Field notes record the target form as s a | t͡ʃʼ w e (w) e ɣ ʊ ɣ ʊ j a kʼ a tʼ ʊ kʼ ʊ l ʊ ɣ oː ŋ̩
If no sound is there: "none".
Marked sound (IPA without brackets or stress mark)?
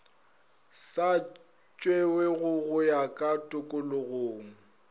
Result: w